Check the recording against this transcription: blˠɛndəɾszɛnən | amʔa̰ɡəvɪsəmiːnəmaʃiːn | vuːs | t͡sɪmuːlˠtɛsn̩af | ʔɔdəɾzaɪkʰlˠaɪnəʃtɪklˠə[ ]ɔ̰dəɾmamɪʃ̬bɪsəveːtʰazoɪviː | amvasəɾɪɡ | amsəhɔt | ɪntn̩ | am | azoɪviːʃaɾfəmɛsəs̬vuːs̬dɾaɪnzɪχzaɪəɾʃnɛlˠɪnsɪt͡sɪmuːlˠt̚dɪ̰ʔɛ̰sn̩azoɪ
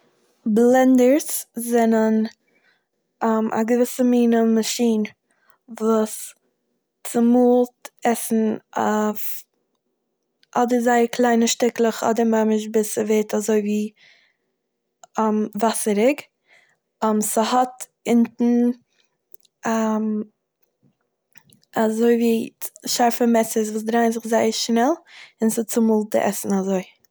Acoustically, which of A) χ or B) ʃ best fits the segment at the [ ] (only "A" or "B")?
A